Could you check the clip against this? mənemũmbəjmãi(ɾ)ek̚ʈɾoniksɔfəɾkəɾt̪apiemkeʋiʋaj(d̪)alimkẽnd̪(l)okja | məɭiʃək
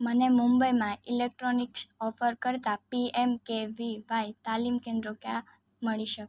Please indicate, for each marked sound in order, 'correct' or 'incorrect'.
incorrect, incorrect, incorrect

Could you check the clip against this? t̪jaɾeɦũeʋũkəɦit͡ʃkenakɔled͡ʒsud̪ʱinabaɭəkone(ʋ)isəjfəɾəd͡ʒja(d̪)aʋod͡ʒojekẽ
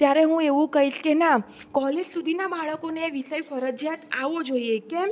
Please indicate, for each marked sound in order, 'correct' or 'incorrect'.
correct, incorrect

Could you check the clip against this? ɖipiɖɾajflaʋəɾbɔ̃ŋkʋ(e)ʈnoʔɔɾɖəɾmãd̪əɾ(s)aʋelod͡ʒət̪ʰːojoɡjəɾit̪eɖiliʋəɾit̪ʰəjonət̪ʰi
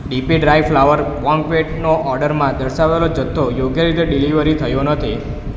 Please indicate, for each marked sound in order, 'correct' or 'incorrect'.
correct, incorrect

